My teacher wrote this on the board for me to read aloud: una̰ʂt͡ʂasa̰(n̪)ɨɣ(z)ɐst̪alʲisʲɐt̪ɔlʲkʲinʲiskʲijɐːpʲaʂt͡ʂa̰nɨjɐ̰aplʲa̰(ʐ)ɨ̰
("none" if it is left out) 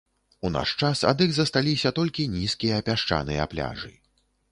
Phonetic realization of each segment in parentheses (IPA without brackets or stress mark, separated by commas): d̪, z, ʐ